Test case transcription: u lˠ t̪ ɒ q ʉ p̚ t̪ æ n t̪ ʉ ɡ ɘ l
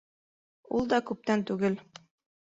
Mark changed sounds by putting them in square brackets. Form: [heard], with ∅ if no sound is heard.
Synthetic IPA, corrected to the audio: u lˠ [d̪] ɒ [k] ʉ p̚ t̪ æ n t̪ ʉ ɡ ɘ l